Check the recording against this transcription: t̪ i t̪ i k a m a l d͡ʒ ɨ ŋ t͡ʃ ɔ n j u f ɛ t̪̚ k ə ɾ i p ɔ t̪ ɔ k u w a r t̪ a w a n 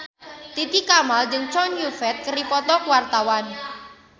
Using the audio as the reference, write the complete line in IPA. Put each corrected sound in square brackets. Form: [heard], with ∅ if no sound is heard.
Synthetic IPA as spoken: t̪ i t̪ i k a m a l d͡ʒ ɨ ŋ t͡ʃ ɔ n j u f ɛ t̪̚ k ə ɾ i p ɔ t̪ ɔ k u w a r t̪ a w a n